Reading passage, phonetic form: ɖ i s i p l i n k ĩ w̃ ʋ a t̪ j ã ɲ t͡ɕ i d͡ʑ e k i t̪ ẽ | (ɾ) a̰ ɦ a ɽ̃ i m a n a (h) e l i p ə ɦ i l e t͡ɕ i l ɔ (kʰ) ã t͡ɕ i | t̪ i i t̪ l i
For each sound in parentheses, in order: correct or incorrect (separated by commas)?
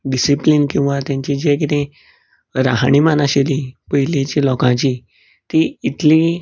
correct, incorrect, incorrect